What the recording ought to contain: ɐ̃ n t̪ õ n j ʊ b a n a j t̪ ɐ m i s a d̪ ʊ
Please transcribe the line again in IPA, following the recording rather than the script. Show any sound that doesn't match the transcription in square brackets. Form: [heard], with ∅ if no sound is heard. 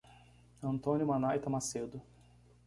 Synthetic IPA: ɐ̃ n t̪ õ n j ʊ [m] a n a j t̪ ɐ m [a] s [e] d̪ ʊ